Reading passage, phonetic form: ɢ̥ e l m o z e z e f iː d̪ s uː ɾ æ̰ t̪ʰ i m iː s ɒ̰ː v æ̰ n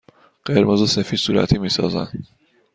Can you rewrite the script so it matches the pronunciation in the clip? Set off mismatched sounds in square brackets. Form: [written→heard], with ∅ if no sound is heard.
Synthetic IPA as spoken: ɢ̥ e [l→ɾ] m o z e [z→s] e f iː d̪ s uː ɾ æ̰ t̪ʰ i m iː s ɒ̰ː [v→z] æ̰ n